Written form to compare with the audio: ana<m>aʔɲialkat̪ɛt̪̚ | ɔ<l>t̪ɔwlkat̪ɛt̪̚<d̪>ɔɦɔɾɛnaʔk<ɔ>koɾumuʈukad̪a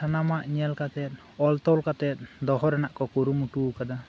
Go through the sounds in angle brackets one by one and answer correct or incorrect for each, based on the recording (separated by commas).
correct, correct, correct, correct